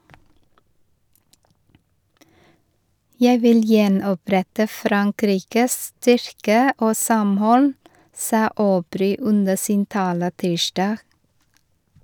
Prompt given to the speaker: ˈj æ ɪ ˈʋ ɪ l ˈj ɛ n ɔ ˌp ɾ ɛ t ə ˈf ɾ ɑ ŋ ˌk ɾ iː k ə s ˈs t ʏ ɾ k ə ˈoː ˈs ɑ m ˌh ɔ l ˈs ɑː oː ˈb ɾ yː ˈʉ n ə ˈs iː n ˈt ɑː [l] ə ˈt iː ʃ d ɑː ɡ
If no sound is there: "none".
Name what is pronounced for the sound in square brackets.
l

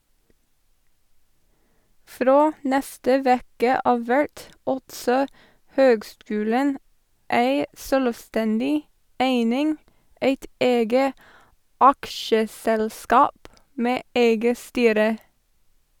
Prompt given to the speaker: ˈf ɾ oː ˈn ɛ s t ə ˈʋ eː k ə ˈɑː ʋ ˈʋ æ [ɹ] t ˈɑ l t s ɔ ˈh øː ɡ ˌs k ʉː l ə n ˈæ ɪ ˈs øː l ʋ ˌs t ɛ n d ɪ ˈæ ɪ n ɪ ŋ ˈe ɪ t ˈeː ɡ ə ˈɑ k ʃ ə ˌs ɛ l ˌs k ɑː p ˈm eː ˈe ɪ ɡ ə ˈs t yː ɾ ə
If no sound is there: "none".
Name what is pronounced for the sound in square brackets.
ɹ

